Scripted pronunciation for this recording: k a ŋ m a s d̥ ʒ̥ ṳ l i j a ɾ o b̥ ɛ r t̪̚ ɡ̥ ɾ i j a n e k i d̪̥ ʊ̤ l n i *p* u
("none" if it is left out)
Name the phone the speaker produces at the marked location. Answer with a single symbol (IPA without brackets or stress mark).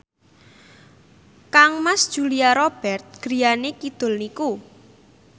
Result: k